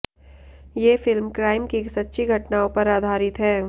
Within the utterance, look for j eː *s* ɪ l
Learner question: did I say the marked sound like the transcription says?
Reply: no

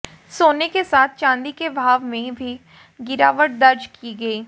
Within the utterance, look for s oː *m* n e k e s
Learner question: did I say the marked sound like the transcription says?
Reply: no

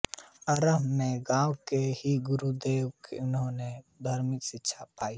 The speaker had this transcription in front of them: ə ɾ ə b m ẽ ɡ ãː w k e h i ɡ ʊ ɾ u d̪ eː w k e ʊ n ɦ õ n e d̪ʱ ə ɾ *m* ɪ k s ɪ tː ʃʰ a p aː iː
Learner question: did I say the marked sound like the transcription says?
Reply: yes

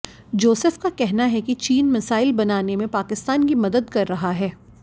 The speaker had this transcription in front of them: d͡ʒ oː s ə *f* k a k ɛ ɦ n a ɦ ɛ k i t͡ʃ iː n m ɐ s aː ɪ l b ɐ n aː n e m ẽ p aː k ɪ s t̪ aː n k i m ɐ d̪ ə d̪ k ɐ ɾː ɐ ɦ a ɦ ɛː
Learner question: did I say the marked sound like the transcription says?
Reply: yes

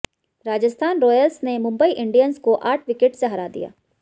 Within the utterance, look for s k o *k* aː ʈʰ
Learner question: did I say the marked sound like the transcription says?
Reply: no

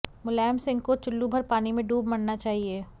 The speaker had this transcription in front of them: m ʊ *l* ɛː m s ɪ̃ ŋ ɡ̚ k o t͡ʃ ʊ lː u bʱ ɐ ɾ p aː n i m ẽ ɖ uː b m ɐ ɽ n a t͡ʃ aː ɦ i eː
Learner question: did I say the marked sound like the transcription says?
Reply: yes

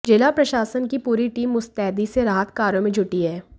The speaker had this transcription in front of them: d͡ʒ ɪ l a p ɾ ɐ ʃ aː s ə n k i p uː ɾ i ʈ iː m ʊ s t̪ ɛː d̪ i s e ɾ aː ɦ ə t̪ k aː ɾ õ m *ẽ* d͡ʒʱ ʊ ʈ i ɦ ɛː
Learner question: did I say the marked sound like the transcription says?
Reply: yes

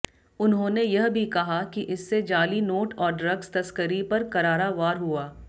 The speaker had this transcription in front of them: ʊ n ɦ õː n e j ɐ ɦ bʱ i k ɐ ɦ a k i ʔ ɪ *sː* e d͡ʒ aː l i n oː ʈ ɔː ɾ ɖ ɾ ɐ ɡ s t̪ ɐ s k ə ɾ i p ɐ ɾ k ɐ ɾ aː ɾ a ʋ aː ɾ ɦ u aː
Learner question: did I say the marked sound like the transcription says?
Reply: yes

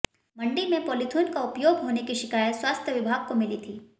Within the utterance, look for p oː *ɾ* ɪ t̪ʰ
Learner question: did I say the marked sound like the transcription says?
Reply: no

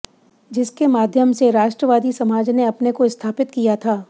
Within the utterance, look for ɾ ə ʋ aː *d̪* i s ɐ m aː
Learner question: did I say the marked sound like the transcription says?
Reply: yes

